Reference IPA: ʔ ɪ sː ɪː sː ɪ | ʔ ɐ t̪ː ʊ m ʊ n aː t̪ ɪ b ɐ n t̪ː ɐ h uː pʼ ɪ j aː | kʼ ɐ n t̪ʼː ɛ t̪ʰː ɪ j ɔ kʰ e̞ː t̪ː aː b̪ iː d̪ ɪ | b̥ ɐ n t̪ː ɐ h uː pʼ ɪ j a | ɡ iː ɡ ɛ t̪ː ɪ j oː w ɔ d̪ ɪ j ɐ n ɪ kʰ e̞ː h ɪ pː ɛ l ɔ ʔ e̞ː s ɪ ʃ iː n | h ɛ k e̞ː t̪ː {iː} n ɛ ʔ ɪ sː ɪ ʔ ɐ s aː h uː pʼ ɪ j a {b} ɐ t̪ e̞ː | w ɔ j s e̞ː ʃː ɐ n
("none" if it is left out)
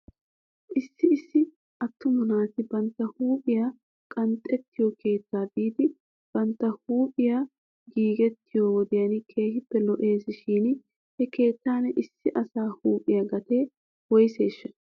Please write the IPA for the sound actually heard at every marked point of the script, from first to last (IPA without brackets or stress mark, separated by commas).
aː, ɡ